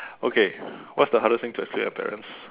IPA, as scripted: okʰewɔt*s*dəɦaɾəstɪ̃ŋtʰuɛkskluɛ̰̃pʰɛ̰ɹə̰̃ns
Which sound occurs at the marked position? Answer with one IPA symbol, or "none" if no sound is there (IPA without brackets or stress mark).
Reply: s